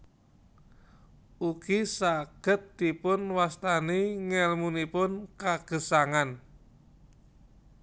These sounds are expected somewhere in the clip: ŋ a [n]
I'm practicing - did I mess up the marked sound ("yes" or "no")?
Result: no